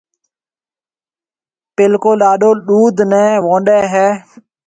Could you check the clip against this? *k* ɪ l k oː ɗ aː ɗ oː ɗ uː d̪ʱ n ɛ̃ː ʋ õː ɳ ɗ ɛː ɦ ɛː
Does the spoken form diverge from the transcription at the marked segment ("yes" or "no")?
yes